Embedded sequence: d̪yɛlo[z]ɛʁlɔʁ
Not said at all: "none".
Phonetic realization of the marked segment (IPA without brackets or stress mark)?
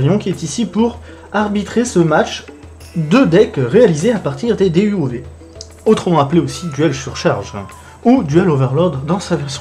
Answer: v